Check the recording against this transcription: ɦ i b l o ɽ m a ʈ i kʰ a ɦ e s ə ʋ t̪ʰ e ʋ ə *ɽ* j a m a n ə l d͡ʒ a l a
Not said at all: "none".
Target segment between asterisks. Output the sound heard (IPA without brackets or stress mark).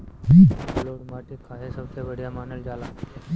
ɽ